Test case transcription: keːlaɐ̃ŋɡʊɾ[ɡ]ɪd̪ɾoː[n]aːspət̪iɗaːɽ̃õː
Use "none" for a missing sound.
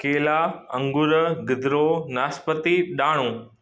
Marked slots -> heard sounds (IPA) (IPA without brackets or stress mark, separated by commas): ɡ, n